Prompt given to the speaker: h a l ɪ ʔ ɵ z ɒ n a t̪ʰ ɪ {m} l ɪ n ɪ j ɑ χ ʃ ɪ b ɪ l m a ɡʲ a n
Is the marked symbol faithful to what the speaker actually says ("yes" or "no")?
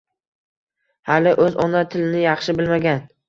no